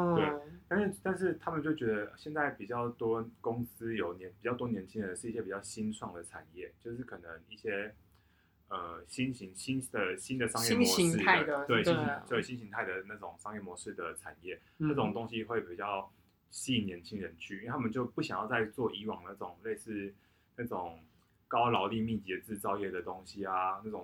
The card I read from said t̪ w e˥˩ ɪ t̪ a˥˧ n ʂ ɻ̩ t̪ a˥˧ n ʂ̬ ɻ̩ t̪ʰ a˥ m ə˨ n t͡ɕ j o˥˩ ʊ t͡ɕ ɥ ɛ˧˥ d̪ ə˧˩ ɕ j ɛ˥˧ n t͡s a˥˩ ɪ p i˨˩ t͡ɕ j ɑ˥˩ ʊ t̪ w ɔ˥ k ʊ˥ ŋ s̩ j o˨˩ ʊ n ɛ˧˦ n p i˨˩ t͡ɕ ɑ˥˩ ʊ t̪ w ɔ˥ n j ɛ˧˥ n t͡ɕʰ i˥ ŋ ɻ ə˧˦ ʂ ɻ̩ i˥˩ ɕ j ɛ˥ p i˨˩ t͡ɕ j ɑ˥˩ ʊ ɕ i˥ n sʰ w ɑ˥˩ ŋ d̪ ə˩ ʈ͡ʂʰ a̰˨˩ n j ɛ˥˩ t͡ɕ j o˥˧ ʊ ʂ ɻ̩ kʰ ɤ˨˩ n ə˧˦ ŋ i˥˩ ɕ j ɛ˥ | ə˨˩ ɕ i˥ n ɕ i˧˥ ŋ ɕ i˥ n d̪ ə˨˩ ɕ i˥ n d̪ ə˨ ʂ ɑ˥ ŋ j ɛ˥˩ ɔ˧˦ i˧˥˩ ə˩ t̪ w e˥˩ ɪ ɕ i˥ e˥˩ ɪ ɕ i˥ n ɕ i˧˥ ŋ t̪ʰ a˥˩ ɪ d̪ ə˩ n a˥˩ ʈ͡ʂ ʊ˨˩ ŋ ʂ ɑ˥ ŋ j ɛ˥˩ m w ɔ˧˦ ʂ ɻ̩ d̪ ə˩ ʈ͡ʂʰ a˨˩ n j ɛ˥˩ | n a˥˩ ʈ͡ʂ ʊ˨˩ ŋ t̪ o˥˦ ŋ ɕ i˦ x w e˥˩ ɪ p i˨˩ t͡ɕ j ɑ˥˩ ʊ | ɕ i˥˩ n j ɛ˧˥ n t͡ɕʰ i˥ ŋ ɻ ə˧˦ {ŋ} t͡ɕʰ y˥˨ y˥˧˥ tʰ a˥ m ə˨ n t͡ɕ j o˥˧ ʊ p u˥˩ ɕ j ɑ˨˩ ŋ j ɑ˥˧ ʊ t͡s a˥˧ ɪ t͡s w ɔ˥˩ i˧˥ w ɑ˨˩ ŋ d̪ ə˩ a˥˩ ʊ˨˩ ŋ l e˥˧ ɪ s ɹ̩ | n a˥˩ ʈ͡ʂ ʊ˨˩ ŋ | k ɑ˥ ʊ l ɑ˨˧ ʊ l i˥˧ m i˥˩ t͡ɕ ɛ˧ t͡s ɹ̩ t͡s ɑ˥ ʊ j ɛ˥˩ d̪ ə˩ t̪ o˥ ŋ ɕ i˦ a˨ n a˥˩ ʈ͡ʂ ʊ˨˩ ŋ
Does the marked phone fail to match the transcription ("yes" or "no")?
yes